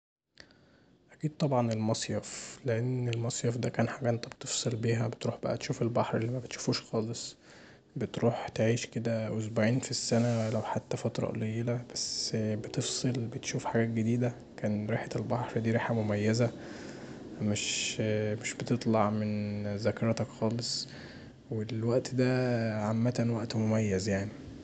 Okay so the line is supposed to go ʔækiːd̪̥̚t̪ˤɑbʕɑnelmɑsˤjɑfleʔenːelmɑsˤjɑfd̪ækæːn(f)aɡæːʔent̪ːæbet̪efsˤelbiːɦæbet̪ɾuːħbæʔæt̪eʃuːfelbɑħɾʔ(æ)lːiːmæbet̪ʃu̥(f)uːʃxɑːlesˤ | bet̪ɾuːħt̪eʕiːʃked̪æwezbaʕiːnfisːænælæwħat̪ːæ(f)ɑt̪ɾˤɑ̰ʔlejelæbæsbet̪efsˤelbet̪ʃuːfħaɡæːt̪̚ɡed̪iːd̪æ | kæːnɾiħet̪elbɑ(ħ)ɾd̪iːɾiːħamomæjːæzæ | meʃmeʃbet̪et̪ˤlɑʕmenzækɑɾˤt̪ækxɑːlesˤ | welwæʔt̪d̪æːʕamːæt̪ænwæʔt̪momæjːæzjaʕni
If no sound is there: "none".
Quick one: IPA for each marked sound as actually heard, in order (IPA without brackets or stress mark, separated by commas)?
ħ, e, f, f, ħ